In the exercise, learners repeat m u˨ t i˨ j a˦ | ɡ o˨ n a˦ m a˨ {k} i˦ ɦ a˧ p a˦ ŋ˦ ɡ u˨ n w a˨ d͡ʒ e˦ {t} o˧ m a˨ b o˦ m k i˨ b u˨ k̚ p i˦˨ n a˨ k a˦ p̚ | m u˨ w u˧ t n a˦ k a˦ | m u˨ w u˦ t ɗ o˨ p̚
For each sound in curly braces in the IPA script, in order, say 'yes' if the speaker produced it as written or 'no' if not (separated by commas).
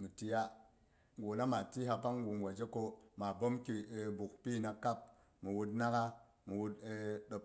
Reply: no, no